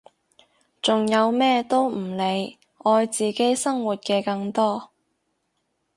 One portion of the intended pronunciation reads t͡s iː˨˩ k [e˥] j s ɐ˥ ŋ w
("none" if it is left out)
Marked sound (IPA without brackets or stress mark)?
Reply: e˥